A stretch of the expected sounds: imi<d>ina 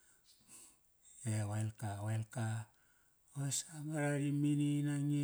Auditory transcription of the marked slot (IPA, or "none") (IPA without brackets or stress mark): n